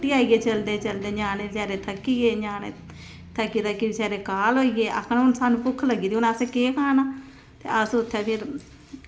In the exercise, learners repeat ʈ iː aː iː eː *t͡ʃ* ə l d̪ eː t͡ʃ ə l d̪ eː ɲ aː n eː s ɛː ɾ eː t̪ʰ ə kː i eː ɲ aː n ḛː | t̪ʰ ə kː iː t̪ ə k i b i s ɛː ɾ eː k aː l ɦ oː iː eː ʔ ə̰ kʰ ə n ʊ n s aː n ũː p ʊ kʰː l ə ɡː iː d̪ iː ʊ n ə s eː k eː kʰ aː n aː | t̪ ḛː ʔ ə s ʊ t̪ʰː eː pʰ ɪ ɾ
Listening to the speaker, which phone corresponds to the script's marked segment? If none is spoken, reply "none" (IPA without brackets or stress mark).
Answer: t͡ʃ